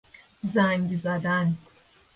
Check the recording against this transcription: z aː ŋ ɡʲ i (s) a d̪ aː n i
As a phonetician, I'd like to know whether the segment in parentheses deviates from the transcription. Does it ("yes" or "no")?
yes